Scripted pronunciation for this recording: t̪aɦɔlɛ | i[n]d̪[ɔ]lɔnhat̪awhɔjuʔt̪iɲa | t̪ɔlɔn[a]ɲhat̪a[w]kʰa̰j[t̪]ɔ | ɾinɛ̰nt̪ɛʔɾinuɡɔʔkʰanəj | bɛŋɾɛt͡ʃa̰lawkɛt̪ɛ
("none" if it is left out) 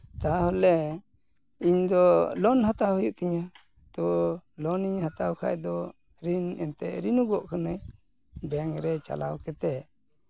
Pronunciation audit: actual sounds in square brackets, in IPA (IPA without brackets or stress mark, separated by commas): ɲ, ɔ, i, w, d̪